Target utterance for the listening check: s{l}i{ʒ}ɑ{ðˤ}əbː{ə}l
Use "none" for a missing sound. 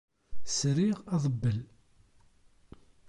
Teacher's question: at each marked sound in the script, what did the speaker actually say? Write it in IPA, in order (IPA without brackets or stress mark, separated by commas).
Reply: ɾ, ʁ, ðˤ, ə